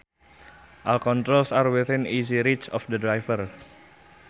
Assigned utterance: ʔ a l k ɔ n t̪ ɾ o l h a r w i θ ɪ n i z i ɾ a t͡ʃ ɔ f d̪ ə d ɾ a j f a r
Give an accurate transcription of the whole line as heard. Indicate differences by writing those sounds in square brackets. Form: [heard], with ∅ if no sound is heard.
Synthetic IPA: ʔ a l k ɔ n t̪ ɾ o l [s] a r w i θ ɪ n i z i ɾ [i] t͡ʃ ɔ f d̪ ə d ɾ a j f [ə] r